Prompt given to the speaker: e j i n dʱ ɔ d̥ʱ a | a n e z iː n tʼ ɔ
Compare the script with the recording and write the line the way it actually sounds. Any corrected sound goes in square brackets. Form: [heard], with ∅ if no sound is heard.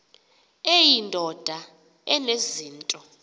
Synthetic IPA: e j i n dʱ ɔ d̥ʱ a | [ɛ] n e z iː n tʼ ɔ